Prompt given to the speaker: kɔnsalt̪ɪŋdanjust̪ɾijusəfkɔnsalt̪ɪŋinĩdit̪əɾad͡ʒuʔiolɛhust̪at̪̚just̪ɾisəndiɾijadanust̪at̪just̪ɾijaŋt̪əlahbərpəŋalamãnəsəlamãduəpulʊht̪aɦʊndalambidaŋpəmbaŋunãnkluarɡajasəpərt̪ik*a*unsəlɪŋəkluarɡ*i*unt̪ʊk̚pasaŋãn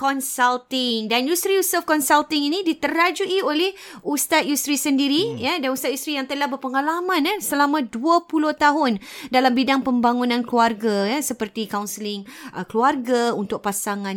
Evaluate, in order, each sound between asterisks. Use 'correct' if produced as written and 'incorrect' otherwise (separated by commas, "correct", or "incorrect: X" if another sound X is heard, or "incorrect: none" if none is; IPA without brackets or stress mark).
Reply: correct, incorrect: a